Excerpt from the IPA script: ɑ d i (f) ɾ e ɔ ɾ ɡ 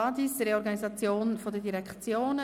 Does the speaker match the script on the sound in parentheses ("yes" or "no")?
no